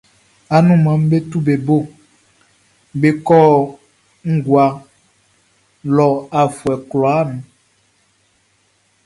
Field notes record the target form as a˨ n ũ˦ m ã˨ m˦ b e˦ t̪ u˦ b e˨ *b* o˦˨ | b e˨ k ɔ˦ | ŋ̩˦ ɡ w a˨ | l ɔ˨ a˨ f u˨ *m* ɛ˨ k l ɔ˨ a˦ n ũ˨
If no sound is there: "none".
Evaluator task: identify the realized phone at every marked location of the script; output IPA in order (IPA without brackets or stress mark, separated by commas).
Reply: b, none